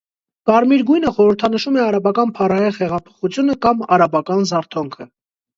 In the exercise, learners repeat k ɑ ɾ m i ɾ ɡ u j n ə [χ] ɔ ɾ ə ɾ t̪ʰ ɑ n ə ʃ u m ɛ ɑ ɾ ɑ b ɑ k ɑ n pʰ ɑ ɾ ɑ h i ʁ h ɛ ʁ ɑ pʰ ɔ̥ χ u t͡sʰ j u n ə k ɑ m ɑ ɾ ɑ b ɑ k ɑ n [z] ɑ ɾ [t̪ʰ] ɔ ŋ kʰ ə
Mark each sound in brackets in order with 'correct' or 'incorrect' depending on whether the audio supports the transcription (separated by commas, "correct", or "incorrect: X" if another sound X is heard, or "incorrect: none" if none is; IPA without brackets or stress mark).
correct, correct, correct